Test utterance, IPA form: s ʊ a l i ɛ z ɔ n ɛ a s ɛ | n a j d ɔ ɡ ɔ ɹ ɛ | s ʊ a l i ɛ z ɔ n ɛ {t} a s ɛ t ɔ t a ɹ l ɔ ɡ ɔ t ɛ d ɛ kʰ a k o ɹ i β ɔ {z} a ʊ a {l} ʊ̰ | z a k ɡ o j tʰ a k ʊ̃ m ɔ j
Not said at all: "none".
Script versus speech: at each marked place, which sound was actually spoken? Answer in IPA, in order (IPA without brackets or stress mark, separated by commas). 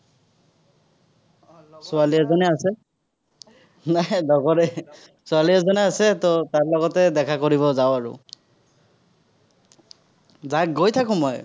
none, z, ɹ